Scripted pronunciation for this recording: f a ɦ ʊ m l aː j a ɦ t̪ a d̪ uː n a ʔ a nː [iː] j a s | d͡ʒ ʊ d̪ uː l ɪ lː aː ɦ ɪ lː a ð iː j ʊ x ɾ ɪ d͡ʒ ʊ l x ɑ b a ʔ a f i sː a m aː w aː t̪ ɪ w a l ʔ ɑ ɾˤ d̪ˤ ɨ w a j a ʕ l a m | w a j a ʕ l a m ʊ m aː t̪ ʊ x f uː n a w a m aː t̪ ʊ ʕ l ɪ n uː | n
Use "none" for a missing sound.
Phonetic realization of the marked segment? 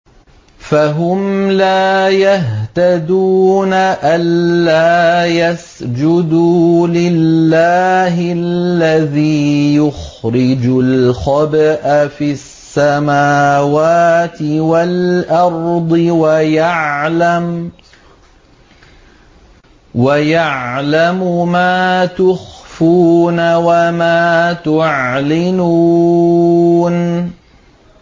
aː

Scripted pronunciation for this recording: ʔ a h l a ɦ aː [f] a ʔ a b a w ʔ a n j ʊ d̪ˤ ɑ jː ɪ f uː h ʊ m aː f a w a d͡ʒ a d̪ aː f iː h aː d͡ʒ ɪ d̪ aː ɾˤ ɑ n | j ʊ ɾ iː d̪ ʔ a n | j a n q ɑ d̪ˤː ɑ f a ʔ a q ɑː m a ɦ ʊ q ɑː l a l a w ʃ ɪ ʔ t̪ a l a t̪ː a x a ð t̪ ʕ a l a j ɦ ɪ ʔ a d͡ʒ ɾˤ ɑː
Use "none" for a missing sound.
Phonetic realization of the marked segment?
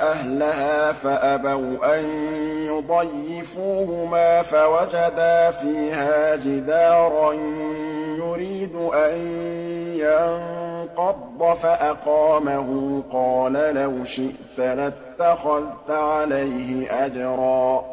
f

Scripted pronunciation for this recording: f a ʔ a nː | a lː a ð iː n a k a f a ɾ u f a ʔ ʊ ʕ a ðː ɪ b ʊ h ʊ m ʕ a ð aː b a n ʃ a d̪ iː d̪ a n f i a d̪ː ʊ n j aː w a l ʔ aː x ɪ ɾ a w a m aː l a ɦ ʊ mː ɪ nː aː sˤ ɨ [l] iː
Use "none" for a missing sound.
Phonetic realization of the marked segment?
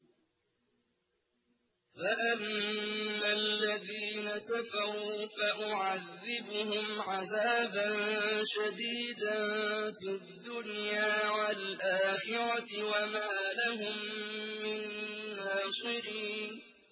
ɾ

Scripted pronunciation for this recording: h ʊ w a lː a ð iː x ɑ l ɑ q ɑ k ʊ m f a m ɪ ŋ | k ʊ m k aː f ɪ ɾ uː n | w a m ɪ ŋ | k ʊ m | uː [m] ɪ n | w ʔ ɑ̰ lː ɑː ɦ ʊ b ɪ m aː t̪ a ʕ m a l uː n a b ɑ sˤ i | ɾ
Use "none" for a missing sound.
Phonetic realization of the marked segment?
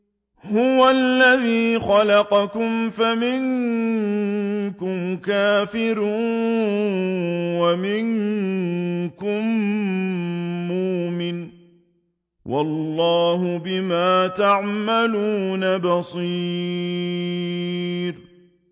m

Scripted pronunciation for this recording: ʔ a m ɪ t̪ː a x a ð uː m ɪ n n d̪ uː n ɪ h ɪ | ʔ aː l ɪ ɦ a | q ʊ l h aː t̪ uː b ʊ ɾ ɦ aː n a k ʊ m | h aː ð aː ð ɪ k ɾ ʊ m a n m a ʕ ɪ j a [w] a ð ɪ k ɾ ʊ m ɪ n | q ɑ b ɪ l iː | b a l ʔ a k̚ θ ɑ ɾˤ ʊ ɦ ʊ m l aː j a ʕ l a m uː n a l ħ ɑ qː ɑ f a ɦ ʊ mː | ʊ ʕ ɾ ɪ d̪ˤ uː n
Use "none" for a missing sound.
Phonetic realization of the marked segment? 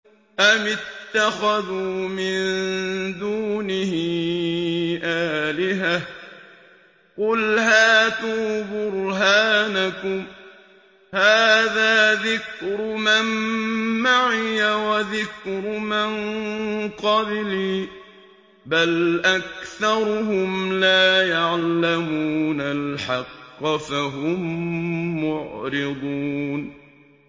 w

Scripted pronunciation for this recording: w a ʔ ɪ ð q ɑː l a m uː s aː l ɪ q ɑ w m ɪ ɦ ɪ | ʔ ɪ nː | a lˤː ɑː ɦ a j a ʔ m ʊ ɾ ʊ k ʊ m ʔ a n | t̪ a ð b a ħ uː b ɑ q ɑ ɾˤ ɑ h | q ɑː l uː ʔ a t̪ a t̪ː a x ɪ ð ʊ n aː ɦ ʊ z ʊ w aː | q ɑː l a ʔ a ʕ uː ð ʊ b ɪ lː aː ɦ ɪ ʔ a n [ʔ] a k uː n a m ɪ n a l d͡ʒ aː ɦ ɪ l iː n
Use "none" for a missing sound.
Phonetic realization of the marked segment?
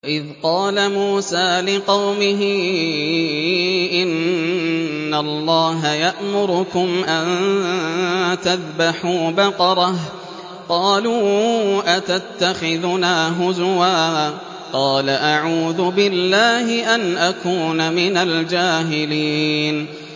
ʔ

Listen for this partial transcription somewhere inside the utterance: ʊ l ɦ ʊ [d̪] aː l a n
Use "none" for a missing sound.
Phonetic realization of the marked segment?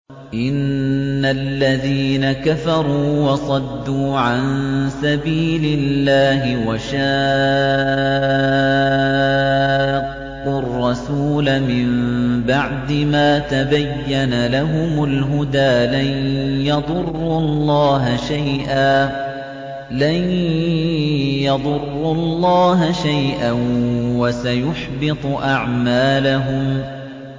d̪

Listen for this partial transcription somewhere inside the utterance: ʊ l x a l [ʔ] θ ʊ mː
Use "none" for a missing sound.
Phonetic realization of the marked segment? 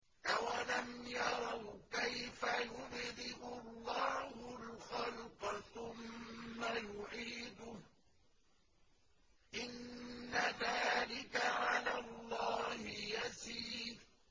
q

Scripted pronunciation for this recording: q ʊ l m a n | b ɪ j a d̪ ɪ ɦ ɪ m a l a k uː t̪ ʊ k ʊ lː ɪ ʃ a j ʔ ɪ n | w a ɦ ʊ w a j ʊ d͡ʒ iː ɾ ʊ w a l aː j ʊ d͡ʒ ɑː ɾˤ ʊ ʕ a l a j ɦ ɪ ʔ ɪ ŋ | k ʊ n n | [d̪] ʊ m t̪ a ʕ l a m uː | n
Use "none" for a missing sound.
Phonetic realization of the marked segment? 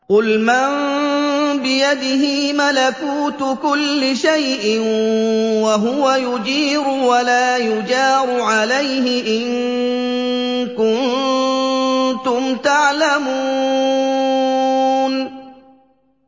t̪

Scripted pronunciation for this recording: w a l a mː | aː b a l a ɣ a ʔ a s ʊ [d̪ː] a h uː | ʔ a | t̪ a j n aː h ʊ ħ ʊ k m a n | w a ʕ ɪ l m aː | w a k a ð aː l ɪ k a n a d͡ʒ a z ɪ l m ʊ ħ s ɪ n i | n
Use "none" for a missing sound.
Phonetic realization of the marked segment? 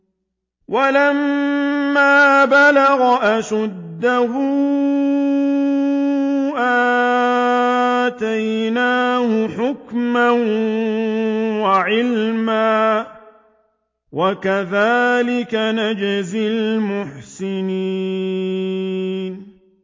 d̪ː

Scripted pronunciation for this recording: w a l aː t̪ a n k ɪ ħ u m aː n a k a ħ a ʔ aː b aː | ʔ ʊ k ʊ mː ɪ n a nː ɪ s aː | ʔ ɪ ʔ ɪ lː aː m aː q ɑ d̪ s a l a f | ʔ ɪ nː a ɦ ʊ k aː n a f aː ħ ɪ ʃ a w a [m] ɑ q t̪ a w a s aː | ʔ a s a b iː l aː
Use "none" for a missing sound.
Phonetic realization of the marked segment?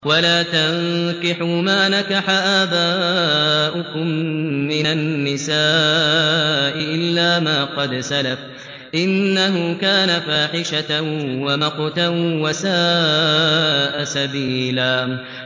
m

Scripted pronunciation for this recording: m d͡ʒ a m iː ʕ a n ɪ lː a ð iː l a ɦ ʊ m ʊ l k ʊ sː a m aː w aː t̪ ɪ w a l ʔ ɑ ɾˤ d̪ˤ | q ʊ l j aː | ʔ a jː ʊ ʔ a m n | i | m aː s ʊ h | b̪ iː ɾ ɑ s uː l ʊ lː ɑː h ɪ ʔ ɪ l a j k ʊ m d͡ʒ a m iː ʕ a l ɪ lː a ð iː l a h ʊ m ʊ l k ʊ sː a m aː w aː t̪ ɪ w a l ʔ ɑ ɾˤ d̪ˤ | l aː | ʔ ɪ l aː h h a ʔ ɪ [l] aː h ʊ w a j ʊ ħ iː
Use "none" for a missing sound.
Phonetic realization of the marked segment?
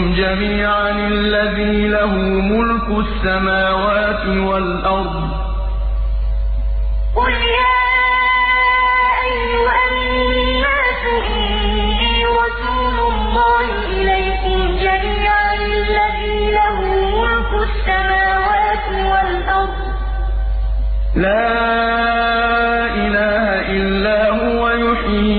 lː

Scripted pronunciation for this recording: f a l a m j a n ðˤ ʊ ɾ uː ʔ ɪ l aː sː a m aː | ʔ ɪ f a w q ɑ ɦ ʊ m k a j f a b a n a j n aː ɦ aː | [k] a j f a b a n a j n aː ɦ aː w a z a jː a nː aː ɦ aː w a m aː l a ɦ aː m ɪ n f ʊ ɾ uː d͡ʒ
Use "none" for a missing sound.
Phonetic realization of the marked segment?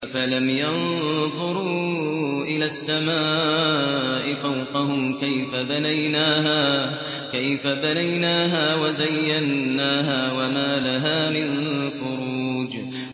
k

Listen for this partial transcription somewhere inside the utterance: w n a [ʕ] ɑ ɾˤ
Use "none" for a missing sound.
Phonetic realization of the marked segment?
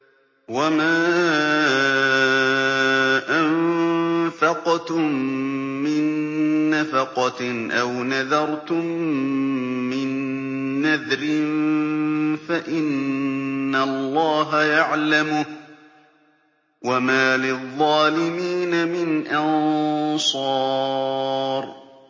ð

